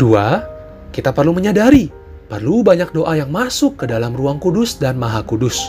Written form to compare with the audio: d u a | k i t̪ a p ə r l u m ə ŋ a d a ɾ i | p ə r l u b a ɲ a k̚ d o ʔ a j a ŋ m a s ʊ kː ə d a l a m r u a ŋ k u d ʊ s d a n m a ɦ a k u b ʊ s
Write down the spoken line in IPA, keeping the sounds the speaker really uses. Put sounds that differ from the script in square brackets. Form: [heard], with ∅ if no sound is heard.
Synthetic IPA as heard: d u a | k i t̪ a p ə r l u m ə [ɲ] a d a ɾ i | p ə r l u b a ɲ a k̚ d o ʔ a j a ŋ m a s ʊ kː ə d a l a m r u a ŋ k u d ʊ s d a n m a ɦ a k u [d] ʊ s